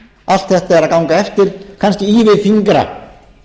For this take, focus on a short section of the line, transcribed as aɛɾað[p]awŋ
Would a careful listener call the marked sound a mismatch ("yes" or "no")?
yes